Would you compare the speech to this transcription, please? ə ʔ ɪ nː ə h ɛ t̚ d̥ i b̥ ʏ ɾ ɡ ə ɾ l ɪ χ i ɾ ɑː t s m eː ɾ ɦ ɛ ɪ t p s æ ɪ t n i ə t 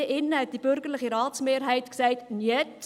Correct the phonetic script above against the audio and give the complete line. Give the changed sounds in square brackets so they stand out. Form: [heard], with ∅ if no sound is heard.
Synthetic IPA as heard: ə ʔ ɪ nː ə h ɛ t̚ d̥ i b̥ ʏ ɾ ɡ ə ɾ l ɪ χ i ɾ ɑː t s m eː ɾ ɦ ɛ ɪ t [k] s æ ɪ t n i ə t